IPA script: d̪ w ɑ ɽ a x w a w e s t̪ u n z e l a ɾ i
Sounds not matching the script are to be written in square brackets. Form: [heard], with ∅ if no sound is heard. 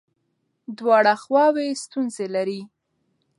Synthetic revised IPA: d̪ w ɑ ɽ a x w [ɑ] w e s t̪ u n z e l a ɾ i

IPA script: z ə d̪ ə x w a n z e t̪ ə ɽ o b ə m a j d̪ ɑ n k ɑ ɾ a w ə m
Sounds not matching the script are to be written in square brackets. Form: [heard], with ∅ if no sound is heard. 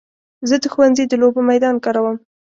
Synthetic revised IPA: z ə d̪ ə x w a n z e [d̪] ə [l] o b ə m a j d̪ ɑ n k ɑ ɾ a w ə m

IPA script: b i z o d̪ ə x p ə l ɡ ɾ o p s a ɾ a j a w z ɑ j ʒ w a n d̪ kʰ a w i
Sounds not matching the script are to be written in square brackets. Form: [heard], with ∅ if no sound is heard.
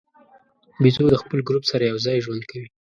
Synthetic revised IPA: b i z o d̪ ə x p ə l ɡ ɾ [u] p s a ɾ a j a w z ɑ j ʒ w a n d̪ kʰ a w i

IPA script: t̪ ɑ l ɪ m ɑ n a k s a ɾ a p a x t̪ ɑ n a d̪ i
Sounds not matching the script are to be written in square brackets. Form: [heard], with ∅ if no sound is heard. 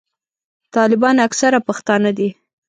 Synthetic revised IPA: t̪ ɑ l ɪ [b] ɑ n a k s a ɾ a p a x t̪ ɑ n a d̪ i

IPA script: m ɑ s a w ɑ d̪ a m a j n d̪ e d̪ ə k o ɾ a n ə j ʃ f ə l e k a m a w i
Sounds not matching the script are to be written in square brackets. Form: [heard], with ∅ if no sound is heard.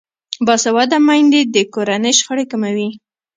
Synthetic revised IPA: [b] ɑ s a w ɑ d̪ a m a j n d̪ e d̪ ə k o ɾ a n ə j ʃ [x] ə [ɽ] e k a m a w i

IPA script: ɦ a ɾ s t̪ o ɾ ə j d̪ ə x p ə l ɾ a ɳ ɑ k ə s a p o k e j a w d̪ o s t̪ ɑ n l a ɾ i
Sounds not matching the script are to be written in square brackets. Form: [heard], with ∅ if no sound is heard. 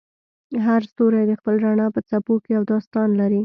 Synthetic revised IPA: ɦ a ɾ s t̪ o ɾ [a] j d̪ ə x p ə l ɾ a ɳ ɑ [p] ə [t͡s] a p o k e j a w d̪ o s t̪ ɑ n l a ɾ i

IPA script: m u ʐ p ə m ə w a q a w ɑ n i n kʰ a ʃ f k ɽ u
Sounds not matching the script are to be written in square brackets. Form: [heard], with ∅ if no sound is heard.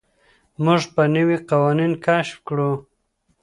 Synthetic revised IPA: m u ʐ p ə [n] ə w [i] q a w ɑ n i n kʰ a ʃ f k ɽ u

